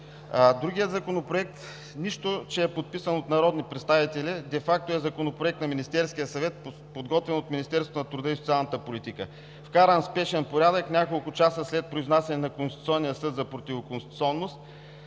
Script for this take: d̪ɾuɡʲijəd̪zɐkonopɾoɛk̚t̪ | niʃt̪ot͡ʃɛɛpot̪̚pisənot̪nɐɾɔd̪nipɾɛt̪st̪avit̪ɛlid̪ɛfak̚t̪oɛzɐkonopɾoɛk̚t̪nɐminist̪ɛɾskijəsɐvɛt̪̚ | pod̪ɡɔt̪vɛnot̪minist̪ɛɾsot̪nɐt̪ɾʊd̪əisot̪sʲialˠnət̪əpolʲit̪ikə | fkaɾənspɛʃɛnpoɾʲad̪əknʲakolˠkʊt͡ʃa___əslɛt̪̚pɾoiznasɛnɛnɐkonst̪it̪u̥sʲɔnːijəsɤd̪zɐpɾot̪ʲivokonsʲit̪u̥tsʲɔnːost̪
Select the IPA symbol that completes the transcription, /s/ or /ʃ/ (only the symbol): s